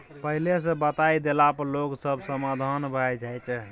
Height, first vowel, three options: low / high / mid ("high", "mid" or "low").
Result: mid